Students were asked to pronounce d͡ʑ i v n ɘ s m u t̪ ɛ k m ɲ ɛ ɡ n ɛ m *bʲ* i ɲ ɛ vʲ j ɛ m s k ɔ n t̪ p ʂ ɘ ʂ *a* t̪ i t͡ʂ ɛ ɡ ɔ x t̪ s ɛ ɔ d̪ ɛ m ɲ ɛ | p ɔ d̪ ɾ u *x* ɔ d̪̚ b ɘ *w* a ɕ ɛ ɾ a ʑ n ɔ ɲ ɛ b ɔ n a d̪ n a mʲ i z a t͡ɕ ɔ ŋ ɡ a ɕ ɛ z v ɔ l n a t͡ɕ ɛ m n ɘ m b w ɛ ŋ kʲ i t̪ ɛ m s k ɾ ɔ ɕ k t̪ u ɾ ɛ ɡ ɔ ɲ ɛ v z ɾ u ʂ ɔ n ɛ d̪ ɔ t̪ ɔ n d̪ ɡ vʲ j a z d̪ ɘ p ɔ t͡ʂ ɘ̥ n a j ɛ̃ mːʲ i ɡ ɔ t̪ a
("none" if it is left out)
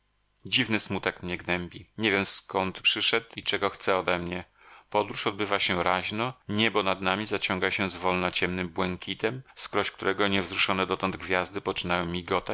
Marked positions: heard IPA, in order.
bʲ, ɛ, ʂ, v

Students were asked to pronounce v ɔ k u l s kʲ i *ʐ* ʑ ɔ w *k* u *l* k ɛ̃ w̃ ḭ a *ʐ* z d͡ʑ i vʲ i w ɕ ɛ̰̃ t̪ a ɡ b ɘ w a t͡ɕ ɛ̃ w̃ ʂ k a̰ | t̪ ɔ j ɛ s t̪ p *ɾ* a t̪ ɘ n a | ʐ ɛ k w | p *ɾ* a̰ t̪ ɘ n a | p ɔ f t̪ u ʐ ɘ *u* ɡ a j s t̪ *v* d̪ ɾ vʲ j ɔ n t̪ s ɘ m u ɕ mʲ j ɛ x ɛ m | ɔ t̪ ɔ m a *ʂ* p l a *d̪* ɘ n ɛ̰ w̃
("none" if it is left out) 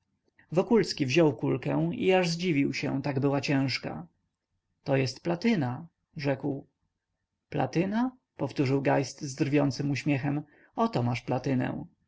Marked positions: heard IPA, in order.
v, k, l, ʐ, l, l, w, z, ʂ, t̪

